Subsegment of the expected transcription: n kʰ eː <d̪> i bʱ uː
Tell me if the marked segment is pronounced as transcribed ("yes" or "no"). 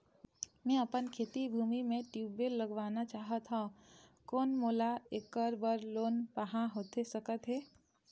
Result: no